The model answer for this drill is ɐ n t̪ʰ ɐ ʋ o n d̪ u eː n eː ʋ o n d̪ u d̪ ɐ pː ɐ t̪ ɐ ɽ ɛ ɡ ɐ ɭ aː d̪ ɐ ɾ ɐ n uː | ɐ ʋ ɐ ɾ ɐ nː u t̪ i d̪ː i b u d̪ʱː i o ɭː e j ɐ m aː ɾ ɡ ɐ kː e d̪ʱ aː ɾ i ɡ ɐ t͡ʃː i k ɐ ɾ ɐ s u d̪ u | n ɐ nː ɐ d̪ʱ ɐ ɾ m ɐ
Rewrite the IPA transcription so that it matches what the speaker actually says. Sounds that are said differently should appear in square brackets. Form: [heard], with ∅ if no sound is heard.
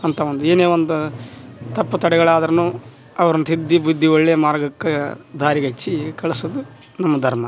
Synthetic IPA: ɐ n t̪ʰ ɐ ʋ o n d̪ u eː n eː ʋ o n d̪ u [t̪] ɐ pː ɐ t̪ ɐ ɽ ɛ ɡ ɐ ɭ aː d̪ ɐ ɾ ɐ n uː | ɐ ʋ ɐ ɾ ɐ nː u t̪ i d̪ː i b u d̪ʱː i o ɭː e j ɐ m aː ɾ ɡ ɐ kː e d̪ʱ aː ɾ i ɡ ɐ t͡ʃː i k ɐ [ɭ] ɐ s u d̪ u | n ɐ [mː] ɐ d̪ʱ ɐ ɾ m ɐ